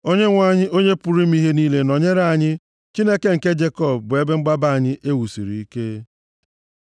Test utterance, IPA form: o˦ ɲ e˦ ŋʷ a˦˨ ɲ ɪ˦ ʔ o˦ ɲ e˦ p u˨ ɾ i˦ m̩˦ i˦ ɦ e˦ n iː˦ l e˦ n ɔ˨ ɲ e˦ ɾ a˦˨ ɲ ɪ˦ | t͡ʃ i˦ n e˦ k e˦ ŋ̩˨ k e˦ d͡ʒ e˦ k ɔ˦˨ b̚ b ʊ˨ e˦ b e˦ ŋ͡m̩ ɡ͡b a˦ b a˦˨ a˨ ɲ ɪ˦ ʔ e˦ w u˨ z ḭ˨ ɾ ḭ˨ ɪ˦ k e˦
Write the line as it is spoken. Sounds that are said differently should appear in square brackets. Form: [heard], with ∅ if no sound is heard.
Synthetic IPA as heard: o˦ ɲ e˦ ŋʷ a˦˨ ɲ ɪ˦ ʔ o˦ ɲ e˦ p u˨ ɾ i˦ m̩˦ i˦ ɦ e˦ n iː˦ l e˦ n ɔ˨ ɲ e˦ ɾ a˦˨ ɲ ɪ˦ | t͡ʃ i˦ n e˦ k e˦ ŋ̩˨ k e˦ d͡ʒ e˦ k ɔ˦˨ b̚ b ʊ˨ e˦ b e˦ ŋ͡m̩ ɡ͡b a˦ b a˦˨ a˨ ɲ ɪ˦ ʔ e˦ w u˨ [s] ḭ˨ ɾ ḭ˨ [i˦] k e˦

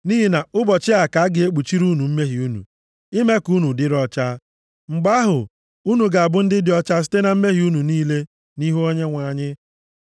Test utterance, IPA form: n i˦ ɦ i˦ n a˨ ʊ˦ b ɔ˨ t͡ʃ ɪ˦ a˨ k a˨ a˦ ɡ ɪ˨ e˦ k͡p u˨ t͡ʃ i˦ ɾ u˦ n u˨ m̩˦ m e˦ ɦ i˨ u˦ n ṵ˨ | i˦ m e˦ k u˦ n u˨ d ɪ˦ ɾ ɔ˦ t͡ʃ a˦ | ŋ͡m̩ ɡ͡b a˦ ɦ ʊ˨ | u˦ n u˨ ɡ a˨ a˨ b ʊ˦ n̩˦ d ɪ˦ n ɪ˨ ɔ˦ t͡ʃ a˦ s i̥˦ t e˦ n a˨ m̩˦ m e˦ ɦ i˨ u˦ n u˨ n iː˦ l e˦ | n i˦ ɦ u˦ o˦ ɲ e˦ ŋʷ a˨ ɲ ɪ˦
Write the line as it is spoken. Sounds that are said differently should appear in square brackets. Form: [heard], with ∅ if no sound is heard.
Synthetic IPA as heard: n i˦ ɦ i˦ n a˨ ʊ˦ b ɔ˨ t͡ʃ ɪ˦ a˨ k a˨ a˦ ɡ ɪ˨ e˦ k͡p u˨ t͡ʃ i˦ ɾ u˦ n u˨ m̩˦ m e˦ ɦ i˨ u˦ n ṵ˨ | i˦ m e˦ k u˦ n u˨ d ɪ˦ ɾ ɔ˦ t͡ʃ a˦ | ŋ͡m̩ ɡ͡b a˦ ɦ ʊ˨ | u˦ n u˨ ɡ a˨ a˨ b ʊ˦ n̩˦ d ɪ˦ [d] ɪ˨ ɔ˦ t͡ʃ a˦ s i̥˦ t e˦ n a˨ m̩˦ m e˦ ɦ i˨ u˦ n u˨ n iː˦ l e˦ | n i˦ ɦ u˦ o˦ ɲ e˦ ŋʷ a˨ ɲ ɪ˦

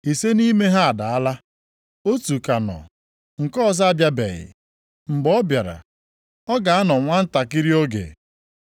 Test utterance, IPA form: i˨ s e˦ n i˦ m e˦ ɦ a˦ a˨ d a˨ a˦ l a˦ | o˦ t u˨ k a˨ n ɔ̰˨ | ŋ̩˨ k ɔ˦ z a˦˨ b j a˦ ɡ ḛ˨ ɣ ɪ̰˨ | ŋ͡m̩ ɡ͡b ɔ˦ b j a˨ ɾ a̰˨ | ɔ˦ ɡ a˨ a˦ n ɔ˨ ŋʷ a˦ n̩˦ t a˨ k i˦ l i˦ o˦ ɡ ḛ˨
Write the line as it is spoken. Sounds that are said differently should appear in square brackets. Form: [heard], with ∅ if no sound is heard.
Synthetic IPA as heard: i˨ s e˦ n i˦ m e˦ ɦ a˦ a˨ d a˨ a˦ l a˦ | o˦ t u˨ k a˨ n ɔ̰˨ | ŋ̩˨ k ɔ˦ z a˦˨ b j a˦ [b] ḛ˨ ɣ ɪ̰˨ | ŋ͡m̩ ɡ͡b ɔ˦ b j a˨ ɾ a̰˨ | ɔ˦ ɡ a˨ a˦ n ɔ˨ ŋʷ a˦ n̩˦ t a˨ k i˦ [ɾ] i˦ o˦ ɡ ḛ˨

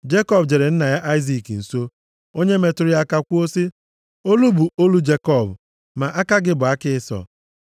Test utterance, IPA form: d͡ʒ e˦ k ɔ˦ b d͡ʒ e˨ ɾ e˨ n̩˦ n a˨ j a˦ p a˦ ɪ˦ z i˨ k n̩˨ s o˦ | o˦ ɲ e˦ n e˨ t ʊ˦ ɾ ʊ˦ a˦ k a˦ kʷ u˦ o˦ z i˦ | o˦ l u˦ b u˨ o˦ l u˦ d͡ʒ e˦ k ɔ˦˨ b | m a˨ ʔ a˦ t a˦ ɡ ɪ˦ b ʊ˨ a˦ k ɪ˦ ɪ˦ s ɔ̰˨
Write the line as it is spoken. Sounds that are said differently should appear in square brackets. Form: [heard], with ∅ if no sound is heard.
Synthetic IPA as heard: d͡ʒ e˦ k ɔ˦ b d͡ʒ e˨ ɾ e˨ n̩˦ n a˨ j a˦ [ʔ] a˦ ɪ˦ z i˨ k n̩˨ s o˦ | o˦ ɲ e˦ [m] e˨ t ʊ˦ ɾ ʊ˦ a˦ k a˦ kʷ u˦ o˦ [s] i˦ | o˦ l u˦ b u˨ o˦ l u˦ d͡ʒ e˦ k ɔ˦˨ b | m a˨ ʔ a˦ [k] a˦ ɡ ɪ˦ b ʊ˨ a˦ k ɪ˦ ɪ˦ s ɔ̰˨

